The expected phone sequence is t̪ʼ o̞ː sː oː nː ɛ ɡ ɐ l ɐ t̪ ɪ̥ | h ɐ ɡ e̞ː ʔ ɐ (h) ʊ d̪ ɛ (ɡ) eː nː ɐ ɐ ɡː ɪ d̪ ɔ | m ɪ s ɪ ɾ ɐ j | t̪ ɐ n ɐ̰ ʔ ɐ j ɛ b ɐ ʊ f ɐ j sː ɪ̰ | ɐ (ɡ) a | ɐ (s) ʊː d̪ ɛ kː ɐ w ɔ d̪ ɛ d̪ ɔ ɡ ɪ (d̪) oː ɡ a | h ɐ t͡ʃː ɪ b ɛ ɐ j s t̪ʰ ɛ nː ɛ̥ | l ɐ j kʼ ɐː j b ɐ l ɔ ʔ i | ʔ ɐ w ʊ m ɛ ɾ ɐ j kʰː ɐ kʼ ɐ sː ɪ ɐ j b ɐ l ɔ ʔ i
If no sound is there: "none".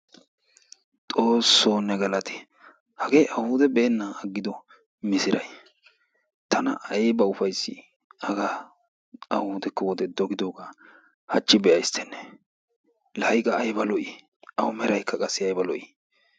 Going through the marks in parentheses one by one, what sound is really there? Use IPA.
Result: h, b, ɡ, h, d̪

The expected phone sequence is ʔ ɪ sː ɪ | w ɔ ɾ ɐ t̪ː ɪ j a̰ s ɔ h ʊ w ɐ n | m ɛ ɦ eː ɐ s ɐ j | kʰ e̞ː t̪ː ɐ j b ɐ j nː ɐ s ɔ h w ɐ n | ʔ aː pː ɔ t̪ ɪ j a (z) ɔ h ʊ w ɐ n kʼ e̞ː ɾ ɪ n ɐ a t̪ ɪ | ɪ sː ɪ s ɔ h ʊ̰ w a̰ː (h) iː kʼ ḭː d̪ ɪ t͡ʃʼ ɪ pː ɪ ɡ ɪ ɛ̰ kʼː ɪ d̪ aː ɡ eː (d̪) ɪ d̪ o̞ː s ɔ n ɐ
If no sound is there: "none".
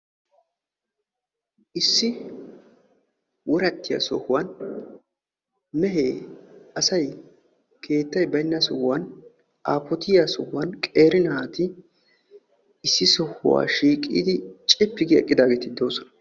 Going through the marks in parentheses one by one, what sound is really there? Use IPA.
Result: s, ʃ, t̪

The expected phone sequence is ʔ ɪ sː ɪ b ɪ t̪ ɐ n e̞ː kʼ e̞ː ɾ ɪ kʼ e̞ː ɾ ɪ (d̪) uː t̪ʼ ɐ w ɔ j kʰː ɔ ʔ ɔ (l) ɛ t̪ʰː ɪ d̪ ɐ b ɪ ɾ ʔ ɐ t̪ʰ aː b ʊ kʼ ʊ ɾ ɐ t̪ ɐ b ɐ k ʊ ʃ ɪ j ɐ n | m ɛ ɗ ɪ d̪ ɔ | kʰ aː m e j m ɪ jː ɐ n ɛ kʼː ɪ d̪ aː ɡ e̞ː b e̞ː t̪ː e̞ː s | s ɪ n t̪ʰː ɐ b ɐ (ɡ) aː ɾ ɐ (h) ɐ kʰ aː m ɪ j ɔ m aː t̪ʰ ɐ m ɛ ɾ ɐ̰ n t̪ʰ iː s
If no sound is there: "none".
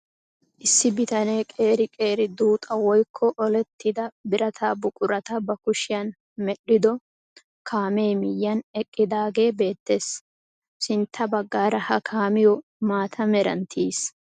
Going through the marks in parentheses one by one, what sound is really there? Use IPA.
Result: d̪, l, ɡː, h

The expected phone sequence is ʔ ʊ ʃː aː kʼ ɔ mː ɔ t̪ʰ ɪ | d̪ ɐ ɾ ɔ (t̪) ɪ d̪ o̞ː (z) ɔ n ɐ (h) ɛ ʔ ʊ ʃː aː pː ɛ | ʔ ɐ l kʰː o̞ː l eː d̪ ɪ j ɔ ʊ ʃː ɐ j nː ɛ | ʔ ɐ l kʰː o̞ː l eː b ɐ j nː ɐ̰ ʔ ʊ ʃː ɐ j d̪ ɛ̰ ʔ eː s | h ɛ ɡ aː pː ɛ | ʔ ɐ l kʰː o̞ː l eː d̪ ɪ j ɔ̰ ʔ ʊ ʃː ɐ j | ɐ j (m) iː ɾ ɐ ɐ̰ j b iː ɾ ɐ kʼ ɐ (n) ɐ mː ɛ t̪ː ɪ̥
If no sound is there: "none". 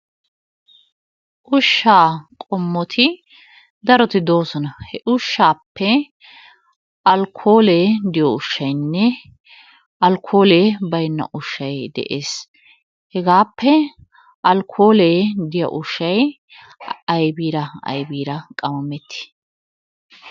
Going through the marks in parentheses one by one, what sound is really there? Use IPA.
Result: t̪, s, h, b, m

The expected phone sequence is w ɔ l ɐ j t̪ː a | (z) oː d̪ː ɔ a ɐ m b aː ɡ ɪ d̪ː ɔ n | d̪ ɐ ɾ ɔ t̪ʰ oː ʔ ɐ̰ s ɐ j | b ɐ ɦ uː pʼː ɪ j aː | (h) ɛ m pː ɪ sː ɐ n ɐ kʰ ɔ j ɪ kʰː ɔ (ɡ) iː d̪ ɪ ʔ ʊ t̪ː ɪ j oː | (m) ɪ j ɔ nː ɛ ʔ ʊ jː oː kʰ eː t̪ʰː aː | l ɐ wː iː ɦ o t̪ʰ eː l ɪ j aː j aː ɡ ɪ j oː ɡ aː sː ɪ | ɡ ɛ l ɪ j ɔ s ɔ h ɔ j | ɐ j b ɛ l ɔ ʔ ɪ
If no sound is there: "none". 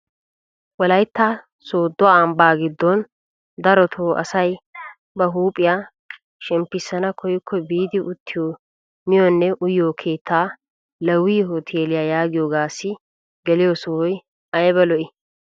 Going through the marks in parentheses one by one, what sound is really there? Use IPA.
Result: s, ʃ, b, m

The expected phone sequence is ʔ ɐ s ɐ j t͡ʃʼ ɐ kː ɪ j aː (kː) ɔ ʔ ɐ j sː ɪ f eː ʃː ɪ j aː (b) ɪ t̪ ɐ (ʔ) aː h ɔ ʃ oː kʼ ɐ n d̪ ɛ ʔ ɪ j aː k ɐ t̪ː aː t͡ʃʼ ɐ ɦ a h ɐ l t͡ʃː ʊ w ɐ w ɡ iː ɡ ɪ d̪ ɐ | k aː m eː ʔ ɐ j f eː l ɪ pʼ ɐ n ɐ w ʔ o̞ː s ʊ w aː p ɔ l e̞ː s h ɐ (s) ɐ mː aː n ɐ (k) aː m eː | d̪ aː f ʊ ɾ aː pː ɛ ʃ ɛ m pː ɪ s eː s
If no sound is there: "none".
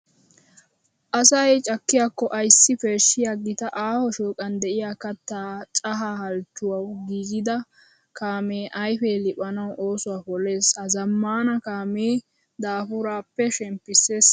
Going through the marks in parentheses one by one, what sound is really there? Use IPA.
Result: kː, ɡ, ʔ, z, k

